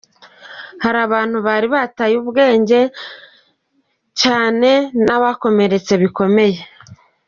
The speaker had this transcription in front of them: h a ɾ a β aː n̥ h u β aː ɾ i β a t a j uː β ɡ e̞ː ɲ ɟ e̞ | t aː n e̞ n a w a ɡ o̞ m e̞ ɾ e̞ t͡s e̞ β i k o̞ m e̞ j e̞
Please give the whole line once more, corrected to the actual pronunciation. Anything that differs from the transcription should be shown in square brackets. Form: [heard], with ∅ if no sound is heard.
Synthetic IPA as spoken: h a ɾ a β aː n̥ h u β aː ɾ i β a t a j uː β ɡ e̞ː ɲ ɟ e̞ | [c] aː n e̞ n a [β] a [k] o̞ m e̞ ɾ e̞ t͡s e̞ β i k o̞ m e̞ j e̞